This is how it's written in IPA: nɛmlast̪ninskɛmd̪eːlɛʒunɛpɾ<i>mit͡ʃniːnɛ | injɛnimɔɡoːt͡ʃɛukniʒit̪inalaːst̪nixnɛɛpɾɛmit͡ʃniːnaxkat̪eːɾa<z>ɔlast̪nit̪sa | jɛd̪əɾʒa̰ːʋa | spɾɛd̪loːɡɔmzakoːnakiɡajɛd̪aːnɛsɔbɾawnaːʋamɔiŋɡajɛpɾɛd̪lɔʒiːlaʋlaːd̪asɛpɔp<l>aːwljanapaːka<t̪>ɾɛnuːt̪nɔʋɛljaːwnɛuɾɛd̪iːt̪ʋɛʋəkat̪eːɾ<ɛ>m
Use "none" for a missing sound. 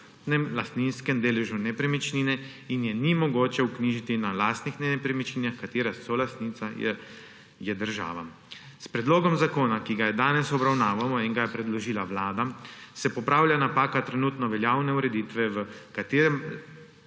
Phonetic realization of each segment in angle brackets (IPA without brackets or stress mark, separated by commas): ɛ, s, ɾ, t̪, ɛ